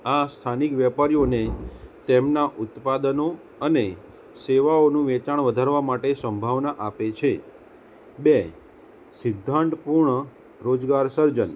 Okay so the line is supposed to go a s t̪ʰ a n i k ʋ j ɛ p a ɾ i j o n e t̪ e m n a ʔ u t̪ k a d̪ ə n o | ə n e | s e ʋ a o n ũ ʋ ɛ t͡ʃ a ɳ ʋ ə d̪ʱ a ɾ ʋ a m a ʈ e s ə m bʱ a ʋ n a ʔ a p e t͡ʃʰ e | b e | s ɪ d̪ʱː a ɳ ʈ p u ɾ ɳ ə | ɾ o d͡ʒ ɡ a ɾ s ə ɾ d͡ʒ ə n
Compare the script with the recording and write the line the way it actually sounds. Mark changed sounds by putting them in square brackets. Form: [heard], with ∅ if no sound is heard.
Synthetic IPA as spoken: a s t̪ʰ a n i k ʋ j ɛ p a ɾ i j o n e t̪ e m n a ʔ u t̪ [p] a d̪ ə n o | ə n e | s e ʋ a o n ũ ʋ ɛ t͡ʃ a ɳ ʋ ə d̪ʱ a ɾ ʋ a m a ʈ e s ə m bʱ a ʋ n a ʔ a p e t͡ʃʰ e | b e | s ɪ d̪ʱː a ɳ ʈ p u ɾ ɳ ə | ɾ o d͡ʒ ɡ a ɾ s ə ɾ d͡ʒ ə n